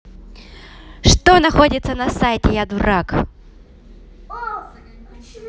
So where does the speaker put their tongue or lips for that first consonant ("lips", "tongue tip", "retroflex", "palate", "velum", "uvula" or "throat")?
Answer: retroflex